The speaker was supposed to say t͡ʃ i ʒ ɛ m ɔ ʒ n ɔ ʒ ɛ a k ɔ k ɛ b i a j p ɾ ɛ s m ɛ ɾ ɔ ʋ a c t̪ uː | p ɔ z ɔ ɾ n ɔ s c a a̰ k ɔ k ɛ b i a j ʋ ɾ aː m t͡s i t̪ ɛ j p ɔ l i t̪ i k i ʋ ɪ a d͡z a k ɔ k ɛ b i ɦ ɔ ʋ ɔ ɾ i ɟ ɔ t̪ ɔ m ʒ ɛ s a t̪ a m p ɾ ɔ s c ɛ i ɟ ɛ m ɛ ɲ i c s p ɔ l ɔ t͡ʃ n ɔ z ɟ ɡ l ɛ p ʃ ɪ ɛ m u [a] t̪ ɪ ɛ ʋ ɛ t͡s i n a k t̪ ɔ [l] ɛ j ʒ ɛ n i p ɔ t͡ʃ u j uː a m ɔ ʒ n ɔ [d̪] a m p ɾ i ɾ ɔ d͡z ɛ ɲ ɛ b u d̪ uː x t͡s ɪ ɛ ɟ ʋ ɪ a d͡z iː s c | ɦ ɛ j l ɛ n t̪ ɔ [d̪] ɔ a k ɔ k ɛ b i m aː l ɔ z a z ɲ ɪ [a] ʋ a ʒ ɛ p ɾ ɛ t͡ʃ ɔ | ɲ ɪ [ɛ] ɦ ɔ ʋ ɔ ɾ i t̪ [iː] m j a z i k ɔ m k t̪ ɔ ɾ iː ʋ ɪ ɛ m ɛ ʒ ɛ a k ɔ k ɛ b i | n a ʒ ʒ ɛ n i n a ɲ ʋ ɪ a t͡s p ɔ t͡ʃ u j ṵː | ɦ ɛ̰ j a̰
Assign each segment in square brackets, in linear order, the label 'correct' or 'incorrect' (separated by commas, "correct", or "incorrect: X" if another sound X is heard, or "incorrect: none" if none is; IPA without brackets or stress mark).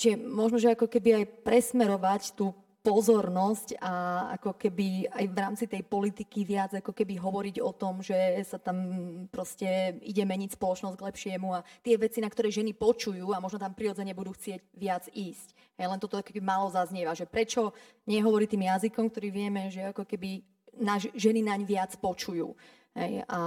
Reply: correct, incorrect: ɾ, incorrect: t̪, incorrect: t̪, incorrect: ɛ, correct, correct